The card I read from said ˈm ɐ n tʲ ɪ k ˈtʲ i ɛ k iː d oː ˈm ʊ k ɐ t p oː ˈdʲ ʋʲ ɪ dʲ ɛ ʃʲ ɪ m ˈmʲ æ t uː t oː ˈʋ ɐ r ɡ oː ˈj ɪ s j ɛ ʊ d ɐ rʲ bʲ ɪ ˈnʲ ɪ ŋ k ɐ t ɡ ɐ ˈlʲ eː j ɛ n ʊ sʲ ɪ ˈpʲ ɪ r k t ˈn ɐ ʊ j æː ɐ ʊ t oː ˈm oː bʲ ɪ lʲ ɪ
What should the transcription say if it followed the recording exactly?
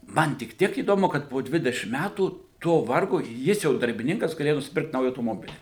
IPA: ˈm ɐ n tʲ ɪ k ˈtʲ i ɛ k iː d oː ˈm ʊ k ɐ t p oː ˈdʲ ʋʲ ɪ dʲ ɛ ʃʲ ɪ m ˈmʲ æ t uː t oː ˈʋ ɐ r ɡ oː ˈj ɪ s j ɛ ʊ d ɐ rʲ bʲ ɪ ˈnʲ ɪ ŋ k ɐ s ɡ ɐ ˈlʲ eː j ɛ n ʊ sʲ ɪ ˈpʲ ɪ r k t ˈn ɐ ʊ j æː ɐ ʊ t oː ˈm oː bʲ ɪ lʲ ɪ